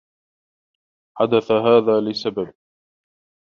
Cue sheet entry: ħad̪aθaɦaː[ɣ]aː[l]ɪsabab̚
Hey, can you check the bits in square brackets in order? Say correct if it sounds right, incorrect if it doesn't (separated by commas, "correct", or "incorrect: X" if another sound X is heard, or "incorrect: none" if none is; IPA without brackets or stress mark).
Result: incorrect: ð, correct